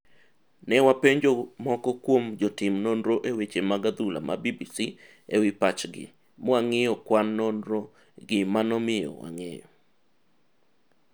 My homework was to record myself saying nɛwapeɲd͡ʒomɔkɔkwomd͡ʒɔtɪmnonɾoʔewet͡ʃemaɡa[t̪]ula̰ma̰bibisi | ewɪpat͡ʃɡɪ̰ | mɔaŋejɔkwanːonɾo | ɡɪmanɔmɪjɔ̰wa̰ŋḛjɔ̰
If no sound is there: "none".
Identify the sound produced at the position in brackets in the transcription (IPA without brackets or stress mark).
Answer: d̪